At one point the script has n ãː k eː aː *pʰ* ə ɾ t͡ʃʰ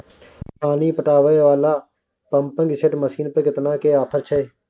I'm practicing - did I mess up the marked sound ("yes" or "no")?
no